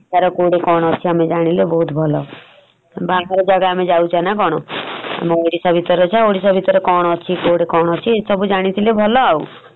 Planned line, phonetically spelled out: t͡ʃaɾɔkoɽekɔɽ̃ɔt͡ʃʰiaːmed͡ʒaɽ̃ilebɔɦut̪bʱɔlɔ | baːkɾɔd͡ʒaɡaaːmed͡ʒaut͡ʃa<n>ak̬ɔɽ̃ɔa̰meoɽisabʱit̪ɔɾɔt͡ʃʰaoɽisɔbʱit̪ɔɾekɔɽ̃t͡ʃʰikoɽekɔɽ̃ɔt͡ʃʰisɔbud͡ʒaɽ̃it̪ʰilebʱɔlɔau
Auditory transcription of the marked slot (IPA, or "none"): n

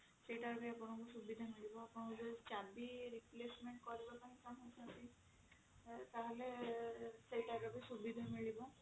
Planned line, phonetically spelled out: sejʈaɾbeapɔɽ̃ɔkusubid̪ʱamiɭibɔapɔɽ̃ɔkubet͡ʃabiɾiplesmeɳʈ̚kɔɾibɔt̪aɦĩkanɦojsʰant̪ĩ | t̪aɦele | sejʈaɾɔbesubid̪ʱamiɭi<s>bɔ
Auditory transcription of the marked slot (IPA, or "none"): none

